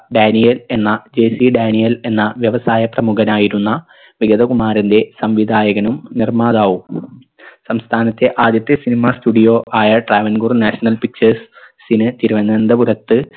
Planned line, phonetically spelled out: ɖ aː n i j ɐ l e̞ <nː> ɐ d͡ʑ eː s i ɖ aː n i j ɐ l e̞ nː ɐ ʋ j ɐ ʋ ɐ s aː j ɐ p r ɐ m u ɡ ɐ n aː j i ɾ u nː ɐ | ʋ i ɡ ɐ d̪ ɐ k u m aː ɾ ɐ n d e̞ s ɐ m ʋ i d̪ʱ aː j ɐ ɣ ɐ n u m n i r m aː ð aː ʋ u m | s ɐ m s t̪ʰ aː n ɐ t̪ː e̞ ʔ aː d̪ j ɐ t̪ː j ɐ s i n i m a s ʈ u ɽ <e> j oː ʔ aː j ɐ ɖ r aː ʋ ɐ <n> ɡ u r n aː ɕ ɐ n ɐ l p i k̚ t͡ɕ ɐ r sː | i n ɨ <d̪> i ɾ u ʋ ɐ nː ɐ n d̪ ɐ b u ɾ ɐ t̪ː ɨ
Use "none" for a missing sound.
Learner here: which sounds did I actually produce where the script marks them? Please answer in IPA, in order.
nː, i, n, t̪

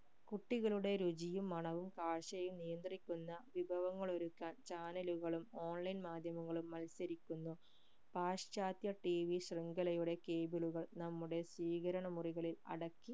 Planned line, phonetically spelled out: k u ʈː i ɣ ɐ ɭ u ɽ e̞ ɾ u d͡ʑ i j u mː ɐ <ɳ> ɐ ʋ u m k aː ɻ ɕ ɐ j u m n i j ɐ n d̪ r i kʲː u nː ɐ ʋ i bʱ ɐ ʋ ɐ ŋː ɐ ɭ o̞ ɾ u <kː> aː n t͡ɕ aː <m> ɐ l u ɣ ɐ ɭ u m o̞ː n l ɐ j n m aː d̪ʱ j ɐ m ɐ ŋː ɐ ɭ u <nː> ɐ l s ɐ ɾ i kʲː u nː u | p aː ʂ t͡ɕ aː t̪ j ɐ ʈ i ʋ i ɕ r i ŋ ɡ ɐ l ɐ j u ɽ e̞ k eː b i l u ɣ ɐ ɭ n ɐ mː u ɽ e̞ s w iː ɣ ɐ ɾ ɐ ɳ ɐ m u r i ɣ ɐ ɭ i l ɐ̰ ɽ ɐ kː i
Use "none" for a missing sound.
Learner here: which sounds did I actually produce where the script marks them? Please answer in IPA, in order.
ɳ, kː, n, mː

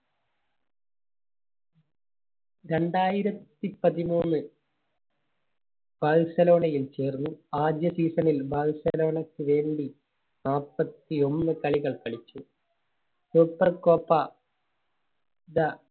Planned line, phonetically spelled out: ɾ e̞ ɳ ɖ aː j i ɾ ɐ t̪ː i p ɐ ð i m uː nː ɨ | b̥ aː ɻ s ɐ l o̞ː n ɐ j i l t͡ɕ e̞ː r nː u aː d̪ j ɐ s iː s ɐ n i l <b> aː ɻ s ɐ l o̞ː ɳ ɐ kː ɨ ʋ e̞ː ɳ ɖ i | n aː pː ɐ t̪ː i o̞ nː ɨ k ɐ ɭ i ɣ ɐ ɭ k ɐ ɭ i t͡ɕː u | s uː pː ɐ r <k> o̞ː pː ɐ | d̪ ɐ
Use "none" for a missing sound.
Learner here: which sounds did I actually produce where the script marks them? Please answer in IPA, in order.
b, k

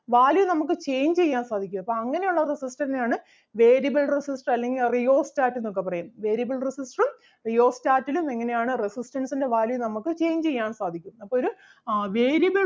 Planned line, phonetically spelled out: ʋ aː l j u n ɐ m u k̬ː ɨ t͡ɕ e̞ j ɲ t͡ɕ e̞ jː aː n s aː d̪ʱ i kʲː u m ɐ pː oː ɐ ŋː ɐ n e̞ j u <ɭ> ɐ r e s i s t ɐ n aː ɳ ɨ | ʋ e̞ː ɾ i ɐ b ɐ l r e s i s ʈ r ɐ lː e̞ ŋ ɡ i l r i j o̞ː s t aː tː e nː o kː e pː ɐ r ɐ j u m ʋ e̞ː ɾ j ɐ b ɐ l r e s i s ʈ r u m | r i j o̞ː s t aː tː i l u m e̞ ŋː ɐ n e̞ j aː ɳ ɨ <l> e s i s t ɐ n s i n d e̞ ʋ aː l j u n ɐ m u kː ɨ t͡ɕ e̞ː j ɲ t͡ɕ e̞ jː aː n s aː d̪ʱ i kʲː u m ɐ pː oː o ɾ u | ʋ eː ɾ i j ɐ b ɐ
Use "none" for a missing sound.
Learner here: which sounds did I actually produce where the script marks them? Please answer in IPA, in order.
ɭː, r

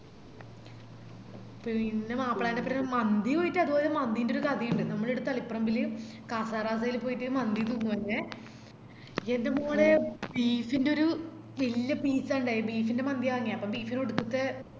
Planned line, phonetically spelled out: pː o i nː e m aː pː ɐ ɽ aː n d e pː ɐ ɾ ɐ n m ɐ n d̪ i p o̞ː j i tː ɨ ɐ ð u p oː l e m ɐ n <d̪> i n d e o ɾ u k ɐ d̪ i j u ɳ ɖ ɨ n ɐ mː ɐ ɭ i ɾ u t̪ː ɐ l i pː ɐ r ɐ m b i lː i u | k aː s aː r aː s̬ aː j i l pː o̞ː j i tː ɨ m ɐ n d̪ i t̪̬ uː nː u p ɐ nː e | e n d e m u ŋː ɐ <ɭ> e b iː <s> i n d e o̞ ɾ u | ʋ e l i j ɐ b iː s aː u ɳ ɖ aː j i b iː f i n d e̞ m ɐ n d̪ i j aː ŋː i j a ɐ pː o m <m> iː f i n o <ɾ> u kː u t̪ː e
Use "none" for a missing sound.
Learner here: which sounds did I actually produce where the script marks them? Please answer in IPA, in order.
d̪, ɭ, f, b, ɽ

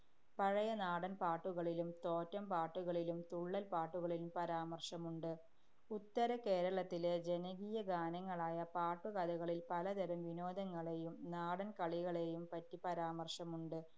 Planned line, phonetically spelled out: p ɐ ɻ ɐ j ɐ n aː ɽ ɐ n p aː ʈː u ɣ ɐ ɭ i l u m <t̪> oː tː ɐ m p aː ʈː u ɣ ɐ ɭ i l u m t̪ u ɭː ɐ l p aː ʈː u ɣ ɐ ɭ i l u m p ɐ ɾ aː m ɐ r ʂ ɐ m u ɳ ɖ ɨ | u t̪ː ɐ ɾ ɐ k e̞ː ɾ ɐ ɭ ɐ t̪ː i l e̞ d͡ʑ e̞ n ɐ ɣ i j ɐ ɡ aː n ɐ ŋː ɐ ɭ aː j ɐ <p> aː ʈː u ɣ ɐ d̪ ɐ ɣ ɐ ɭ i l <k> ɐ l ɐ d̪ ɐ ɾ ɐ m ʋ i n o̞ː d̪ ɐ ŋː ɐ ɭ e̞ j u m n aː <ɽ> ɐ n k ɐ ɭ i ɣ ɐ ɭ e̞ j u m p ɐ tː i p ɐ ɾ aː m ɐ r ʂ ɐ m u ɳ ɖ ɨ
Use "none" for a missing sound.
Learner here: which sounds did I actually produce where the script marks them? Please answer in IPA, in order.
t̪, p, p, ɽ

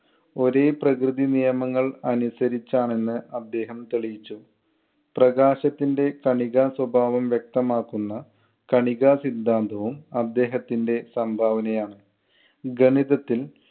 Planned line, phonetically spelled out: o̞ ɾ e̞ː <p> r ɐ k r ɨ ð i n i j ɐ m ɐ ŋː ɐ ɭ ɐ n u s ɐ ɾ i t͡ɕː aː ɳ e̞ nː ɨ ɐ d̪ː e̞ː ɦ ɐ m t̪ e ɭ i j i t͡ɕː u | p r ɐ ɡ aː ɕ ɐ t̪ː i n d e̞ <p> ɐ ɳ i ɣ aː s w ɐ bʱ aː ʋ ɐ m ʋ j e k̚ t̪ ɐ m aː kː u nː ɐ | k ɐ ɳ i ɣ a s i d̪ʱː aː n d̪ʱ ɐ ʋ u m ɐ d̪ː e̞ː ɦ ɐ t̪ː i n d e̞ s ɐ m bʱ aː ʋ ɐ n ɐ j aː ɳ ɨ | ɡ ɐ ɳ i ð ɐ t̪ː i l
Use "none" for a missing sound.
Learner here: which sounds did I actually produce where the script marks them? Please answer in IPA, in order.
p, k

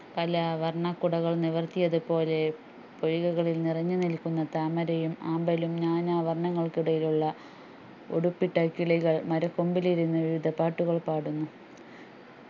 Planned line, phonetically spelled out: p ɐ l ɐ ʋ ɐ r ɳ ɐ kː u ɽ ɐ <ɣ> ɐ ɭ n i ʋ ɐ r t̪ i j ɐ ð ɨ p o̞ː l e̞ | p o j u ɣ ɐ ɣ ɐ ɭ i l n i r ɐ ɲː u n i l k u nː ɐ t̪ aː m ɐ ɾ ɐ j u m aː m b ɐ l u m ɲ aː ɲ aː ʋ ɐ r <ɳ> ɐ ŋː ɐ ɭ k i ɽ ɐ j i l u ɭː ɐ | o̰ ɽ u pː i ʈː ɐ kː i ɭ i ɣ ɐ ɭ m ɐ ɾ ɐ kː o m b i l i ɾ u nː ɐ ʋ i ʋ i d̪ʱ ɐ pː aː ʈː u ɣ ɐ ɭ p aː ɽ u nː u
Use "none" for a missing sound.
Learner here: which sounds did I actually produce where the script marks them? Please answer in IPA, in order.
ɣ, ɳ

